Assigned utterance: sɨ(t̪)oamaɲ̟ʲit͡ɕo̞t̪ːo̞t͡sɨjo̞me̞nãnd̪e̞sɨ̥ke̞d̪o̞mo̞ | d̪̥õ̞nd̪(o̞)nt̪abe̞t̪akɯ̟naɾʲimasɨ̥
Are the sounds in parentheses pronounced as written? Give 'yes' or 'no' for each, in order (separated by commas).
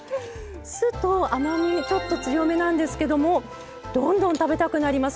yes, no